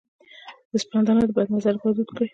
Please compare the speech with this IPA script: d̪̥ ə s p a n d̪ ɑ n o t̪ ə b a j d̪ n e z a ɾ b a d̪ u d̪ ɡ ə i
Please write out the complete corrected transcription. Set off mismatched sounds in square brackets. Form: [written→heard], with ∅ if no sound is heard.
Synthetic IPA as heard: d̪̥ ə s p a n d̪ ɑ n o [t̪→d̪] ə b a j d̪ n [e→a] z a ɾ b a d̪ u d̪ [ɡ→k] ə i